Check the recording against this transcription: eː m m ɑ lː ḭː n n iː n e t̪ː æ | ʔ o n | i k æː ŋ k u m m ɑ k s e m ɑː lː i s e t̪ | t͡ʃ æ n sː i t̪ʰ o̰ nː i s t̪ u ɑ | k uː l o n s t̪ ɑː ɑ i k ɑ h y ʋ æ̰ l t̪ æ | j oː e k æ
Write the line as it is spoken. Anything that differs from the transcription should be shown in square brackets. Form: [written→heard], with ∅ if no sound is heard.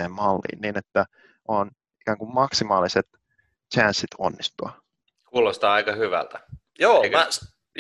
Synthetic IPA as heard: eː m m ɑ lː ḭː n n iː n e t̪ː æ | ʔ o n | i k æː ŋ k u m m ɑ k s [e→i] m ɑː [lː→l] i s e t̪ | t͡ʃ æ n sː i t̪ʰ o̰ nː i s t̪ u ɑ | k uː l o [n→∅] s t̪ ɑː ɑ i k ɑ h y ʋ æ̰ l t̪ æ | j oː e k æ